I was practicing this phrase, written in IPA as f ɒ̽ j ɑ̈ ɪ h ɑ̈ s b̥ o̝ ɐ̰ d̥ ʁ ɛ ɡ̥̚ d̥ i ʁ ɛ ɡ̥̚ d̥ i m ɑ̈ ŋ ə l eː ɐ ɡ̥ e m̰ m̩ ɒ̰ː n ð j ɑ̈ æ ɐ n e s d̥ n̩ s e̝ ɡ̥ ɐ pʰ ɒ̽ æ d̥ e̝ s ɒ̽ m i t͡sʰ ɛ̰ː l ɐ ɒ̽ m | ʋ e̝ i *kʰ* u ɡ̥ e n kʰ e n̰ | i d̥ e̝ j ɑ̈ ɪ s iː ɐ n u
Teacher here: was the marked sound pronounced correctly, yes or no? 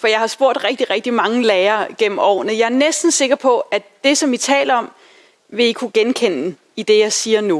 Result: yes